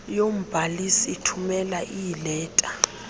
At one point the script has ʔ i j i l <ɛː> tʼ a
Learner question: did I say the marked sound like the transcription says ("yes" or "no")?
yes